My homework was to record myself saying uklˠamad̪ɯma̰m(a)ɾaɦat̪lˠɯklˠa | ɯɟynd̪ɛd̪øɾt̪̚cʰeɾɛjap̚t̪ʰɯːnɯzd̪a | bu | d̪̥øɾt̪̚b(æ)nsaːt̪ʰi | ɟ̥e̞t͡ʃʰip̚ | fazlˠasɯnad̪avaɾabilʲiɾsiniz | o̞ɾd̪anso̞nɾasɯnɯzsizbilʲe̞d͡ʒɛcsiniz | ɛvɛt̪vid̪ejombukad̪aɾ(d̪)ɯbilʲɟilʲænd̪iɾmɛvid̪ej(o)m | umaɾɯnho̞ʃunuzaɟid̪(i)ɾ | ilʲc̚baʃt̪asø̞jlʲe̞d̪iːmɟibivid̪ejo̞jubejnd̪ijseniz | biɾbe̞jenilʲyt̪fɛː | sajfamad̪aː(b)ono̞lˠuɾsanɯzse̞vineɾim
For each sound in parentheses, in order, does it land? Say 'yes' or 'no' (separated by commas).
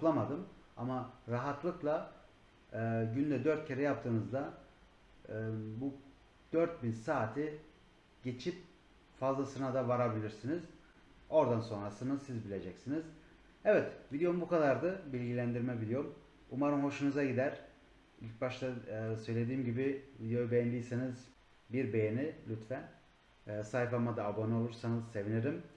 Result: yes, no, yes, yes, no, yes